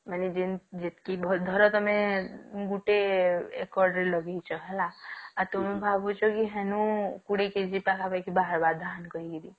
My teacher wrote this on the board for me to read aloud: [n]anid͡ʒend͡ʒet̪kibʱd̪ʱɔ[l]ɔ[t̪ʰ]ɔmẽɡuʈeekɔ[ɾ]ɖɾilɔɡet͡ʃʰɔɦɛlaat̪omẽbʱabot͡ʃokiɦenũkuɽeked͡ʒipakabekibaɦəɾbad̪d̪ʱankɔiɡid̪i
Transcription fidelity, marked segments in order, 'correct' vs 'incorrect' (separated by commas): incorrect, incorrect, incorrect, correct